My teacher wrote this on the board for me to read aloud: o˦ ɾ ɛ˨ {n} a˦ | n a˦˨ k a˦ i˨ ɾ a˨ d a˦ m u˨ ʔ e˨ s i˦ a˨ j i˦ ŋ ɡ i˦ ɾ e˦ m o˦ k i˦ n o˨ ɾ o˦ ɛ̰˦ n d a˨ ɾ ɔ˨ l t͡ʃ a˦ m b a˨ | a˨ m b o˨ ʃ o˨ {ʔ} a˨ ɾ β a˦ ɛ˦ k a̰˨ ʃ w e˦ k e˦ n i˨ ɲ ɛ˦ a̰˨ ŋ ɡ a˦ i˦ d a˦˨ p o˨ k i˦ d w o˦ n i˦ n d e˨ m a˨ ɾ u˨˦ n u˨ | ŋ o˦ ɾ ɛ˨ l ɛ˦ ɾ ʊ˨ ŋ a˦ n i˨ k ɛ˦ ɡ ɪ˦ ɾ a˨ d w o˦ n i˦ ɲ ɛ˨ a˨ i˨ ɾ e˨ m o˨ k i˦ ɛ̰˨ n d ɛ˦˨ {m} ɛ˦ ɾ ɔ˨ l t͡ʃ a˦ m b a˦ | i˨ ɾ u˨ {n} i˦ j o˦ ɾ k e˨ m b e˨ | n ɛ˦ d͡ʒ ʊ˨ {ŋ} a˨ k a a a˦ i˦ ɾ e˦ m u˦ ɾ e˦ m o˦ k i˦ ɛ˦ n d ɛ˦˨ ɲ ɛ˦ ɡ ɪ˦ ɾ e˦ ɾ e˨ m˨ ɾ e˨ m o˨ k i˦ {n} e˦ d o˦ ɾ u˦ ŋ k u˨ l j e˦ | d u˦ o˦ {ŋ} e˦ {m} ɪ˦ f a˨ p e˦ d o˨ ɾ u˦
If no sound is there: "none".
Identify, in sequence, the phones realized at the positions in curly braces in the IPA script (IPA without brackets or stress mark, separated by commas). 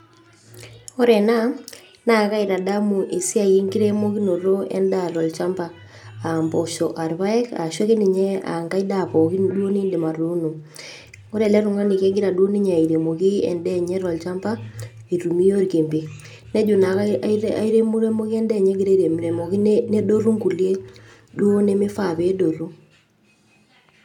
n, ʔ, ɲ, m, n, n, n, m